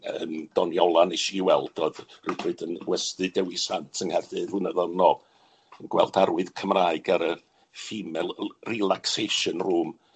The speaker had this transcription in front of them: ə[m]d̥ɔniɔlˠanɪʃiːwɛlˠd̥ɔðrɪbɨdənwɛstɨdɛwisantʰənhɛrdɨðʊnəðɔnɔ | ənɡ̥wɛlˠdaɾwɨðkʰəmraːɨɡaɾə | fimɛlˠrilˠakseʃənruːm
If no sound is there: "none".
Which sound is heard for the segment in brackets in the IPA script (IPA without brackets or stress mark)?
m